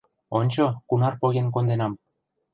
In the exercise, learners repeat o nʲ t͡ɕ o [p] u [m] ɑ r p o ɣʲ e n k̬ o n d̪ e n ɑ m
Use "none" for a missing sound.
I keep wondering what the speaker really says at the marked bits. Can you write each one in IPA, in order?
k, n

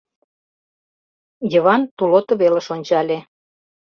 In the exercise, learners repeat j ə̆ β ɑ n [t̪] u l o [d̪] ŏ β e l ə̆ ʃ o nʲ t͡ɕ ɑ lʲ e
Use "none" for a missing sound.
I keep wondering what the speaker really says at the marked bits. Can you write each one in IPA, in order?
t̪, t̪

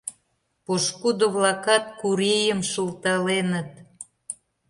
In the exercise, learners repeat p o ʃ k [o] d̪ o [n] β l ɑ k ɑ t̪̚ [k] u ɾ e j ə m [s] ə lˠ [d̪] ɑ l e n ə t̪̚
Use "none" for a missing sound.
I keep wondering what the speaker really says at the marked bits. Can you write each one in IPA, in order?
u, none, k, ʃ, t̪

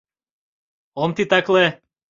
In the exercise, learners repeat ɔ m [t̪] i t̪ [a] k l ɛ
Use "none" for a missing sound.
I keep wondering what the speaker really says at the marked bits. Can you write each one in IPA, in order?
t̪, a

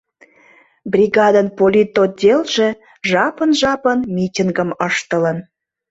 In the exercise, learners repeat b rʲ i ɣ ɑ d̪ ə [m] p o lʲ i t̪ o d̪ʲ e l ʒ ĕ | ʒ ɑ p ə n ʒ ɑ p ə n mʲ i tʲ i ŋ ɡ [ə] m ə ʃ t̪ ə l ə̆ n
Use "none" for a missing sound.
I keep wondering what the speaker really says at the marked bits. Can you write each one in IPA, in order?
n, ə

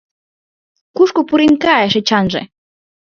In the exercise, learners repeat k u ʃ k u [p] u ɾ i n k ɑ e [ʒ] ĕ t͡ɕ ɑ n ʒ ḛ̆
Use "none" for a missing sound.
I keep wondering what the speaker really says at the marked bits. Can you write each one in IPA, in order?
p, ʃ

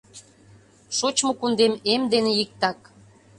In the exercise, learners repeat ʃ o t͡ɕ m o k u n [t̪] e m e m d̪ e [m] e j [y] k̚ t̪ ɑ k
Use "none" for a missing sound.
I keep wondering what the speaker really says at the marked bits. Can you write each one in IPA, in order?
d̪, n, i

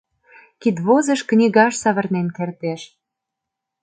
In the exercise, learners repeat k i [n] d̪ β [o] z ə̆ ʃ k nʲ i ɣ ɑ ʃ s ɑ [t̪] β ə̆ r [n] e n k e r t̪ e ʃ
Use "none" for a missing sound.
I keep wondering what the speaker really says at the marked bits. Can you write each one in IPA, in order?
none, o, none, n

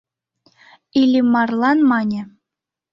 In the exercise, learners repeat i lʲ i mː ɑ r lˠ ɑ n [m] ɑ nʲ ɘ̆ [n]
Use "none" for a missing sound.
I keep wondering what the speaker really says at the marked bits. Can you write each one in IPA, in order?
m, none

